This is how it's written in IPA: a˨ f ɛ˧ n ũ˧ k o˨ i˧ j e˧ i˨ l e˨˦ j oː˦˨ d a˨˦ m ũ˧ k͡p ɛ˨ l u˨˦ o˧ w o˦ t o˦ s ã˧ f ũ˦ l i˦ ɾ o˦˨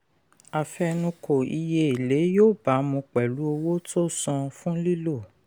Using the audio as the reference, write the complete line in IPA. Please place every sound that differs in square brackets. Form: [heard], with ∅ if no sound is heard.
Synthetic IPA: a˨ f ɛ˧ n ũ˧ k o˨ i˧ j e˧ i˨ l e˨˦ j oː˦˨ [b] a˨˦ m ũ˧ k͡p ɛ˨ l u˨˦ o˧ w o˦ t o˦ s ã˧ f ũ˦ l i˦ [l] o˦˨